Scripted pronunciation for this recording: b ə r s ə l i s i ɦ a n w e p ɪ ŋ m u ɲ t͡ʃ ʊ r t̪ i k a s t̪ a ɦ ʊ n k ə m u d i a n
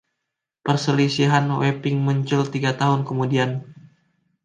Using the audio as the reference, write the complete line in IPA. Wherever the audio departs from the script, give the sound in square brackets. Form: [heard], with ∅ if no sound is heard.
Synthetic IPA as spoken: [p] ə r s ə l i s i ɦ a n w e p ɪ ŋ m u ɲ t͡ʃ ʊ [l] t̪ i [ɡ] a [∅] t̪ a ɦ ʊ n k ə m u d i a n